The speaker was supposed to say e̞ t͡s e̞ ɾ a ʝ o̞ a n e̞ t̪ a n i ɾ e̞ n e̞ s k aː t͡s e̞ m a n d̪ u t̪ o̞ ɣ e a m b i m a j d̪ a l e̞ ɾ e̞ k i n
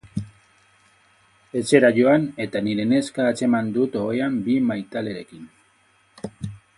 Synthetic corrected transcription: e̞ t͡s e̞ ɾ a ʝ o̞ a n e̞ t̪ a n i ɾ e̞ n e̞ s k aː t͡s e̞ m a n d̪ u t̪ o̞ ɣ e a m b i m a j t̪ a l e̞ ɾ e̞ k i n